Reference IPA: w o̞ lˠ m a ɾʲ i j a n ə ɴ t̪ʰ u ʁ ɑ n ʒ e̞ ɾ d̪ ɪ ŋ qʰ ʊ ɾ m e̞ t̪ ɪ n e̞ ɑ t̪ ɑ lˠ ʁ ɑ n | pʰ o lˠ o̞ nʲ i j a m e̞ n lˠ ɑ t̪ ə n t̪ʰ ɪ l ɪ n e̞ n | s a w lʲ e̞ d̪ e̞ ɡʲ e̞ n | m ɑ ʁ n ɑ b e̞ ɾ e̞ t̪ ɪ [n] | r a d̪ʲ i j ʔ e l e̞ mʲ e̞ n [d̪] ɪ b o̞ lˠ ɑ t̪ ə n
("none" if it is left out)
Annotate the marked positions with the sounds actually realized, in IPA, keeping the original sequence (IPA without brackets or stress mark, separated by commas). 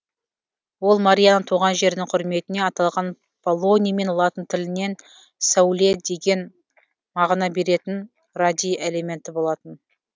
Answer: n, t̪